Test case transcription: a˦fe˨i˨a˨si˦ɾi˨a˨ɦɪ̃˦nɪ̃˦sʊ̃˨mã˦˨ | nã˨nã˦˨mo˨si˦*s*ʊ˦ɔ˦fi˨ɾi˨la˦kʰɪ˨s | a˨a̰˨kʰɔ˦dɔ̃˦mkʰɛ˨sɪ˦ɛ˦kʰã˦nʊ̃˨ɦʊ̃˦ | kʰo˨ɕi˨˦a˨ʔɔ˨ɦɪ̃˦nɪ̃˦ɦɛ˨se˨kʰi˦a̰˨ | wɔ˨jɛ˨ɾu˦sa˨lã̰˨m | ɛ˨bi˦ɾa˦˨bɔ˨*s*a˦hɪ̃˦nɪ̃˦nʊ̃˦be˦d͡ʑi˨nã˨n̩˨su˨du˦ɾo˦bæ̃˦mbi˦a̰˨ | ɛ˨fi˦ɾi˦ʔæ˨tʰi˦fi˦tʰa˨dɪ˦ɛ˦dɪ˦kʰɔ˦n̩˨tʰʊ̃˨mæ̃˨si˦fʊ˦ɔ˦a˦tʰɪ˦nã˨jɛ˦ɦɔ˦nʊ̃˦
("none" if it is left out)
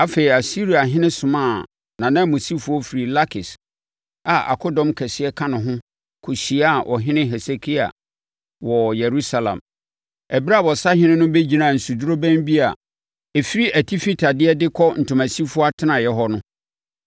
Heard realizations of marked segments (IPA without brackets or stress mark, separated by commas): f, s